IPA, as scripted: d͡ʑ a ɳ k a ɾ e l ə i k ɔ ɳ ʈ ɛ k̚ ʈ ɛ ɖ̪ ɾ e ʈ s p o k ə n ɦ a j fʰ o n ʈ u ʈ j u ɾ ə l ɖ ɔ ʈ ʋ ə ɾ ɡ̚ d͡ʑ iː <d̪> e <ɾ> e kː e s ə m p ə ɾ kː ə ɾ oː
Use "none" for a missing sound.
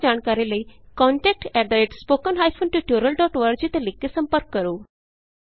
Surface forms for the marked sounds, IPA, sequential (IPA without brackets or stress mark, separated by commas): t̪, l